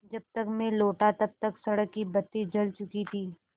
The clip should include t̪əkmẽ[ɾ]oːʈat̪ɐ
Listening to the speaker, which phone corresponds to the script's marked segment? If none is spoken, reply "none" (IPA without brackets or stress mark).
l